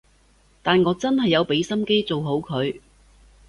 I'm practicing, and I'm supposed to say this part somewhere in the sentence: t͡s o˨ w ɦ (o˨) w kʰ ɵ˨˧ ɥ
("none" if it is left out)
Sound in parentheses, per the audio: o˨˥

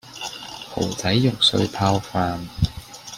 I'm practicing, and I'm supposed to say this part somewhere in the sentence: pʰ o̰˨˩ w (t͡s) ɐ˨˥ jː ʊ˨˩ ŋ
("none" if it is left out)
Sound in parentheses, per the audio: t͡s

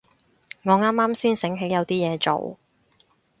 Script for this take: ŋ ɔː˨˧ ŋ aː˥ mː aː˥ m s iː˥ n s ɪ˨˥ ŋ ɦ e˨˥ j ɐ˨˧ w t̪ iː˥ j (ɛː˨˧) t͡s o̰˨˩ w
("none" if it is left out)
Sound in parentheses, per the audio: ɛː˨˧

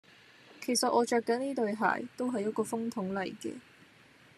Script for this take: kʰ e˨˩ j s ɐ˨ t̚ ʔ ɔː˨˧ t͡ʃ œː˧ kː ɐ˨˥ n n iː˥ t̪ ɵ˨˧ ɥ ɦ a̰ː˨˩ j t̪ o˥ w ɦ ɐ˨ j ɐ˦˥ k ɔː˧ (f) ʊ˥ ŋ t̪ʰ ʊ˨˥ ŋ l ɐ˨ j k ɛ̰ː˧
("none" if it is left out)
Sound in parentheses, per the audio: f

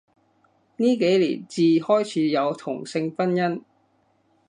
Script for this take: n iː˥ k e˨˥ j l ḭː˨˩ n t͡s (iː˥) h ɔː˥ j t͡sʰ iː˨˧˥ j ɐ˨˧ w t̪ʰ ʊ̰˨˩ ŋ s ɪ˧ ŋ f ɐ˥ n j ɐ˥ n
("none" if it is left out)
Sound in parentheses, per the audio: iː˨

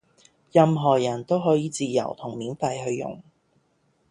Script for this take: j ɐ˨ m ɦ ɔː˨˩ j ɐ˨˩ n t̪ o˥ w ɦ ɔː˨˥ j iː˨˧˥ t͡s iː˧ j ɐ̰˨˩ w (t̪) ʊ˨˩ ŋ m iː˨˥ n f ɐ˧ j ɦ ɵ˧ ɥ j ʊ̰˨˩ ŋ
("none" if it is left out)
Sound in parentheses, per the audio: t̪ʰ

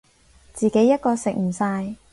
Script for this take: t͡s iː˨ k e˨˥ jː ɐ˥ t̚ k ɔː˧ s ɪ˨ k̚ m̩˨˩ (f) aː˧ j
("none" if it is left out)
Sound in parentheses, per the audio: s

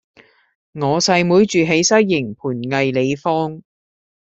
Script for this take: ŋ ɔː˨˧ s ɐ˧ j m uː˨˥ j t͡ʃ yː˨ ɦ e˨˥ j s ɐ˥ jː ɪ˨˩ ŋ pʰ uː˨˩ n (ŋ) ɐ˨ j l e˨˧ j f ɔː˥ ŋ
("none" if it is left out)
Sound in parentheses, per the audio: ŋ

